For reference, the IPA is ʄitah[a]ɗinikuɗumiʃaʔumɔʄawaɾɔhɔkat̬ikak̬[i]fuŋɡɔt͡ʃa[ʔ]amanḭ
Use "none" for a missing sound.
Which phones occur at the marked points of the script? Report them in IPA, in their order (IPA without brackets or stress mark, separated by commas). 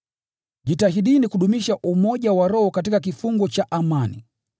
i, i, ʔ